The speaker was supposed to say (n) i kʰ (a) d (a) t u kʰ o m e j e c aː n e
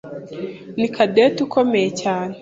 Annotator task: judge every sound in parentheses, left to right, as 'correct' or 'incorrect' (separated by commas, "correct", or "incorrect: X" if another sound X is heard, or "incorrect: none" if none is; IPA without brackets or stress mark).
correct, correct, incorrect: e